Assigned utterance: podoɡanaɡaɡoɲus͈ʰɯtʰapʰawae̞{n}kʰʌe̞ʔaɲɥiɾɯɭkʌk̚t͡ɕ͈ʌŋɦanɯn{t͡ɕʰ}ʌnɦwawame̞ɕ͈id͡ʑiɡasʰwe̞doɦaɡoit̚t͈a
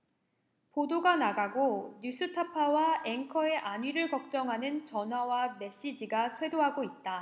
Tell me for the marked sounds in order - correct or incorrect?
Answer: incorrect: ŋ, incorrect: t͡ɕ

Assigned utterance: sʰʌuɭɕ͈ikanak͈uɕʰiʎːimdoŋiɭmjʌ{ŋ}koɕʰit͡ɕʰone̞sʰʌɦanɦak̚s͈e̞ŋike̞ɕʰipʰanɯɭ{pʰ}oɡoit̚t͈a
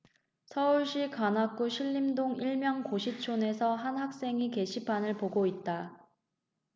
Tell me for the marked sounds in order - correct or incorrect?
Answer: correct, incorrect: p

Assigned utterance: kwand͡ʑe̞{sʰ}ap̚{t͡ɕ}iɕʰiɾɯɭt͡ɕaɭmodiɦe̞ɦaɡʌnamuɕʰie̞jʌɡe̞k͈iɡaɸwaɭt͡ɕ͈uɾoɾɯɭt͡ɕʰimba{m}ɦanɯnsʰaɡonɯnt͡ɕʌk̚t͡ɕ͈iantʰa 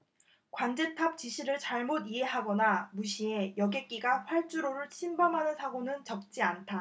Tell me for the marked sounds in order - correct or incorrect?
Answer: incorrect: tʰ, correct, correct

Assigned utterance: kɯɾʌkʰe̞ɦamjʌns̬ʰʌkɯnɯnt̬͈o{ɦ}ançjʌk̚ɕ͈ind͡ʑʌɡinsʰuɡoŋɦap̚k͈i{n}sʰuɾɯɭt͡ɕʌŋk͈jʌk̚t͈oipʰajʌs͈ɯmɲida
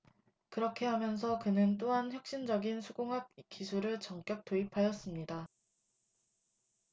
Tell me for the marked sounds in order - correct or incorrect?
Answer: correct, incorrect: none

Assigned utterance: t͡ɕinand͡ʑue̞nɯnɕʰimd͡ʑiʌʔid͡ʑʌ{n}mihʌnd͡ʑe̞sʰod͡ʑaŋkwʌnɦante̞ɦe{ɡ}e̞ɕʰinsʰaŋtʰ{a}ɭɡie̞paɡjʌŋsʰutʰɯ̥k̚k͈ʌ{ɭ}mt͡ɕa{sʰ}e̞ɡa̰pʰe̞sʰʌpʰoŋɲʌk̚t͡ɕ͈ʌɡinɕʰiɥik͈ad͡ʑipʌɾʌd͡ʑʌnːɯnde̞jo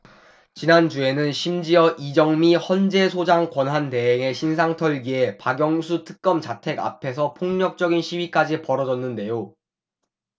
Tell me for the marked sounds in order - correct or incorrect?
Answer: incorrect: ŋ, incorrect: ŋ, incorrect: ʌ, incorrect: none, incorrect: tʰ

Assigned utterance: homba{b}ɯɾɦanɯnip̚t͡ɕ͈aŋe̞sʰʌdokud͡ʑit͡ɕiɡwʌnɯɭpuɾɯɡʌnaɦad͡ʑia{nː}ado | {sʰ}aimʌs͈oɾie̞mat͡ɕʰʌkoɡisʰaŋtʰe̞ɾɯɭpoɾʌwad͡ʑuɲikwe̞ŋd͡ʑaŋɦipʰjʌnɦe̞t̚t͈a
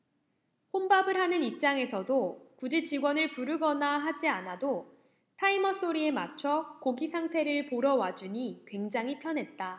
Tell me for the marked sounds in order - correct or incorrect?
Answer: correct, incorrect: n, incorrect: tʰ

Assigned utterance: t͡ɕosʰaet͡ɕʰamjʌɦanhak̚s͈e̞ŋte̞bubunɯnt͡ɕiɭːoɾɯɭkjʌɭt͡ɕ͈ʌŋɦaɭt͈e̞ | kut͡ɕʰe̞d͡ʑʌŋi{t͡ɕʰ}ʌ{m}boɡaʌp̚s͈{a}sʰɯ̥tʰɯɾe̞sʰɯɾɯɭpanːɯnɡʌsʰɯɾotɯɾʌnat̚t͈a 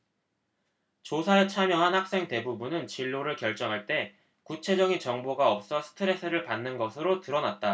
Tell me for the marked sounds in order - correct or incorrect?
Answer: incorrect: t͡ɕ, incorrect: ŋ, incorrect: ʌ

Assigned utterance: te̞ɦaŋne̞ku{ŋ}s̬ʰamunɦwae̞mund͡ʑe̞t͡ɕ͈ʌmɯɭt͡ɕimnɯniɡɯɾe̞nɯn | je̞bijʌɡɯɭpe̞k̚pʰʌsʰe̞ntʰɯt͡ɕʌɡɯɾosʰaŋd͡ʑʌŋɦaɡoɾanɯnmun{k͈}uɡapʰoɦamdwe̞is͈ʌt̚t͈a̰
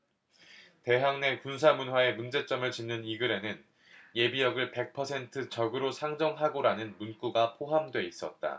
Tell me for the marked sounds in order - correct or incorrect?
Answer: incorrect: n, correct

